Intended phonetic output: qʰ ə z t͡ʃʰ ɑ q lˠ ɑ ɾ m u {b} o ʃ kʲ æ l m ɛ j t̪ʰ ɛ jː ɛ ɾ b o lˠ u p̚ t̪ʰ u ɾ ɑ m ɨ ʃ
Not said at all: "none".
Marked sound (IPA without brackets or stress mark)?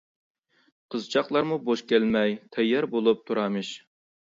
b